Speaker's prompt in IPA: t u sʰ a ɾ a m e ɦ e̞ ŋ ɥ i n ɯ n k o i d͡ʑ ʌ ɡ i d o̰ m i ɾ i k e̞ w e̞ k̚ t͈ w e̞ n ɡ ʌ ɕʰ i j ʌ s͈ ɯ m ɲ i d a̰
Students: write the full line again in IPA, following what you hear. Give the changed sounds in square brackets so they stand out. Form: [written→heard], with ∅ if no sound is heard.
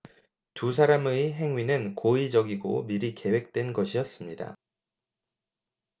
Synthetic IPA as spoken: t u sʰ a ɾ a m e ɦ e̞ ŋ ɥ i n ɯ n k o i d͡ʑ ʌ ɡ i [d→ɡ] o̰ m i ɾ i k e̞ w e̞ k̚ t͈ w e̞ n ɡ ʌ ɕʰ i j ʌ s͈ ɯ m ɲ i d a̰